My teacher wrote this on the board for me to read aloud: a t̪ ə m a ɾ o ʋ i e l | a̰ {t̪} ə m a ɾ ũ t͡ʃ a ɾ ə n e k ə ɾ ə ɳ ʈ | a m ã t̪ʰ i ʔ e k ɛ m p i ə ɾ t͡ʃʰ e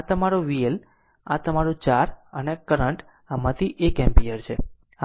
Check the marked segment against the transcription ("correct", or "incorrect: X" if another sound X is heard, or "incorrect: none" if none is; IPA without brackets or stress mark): correct